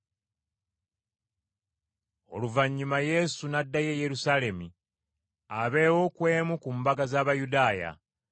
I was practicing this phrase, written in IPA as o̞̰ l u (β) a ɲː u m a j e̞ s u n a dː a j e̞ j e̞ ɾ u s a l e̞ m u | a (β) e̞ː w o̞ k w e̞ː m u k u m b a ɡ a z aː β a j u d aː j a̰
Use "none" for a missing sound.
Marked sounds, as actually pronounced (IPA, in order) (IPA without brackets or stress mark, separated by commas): v, β